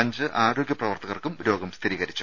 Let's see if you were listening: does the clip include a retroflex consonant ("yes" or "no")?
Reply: no